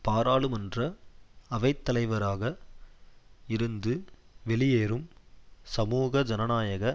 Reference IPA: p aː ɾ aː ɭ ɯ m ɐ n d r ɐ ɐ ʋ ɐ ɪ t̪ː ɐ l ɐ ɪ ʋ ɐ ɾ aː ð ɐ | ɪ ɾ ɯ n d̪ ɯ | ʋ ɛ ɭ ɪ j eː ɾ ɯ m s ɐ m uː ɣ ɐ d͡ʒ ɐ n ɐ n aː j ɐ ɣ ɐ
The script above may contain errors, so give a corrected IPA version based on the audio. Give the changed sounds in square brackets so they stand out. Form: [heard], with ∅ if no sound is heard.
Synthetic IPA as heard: p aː ɾ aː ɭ ɯ m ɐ n d r ɐ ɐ ʋ ɐ ɪ t̪ː ɐ l ɐ ɪ ʋ ɐ ɾ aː [ɣ] ɐ | ɪ ɾ ɯ n d̪ ɯ | ʋ ɛ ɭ ɪ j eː ɾ ɯ m s ɐ m uː ɣ ɐ d͡ʒ ɐ n ɐ n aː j ɐ ɣ ɐ